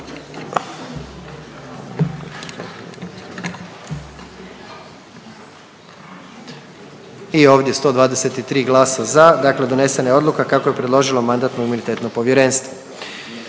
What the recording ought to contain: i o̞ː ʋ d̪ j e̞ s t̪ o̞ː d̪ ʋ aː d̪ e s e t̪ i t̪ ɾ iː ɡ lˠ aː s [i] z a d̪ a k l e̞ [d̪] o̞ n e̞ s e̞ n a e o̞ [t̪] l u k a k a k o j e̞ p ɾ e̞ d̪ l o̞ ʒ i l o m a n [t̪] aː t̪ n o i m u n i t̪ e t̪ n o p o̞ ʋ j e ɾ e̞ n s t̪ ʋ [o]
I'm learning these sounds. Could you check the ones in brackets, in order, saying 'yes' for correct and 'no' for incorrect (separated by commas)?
no, yes, no, no, yes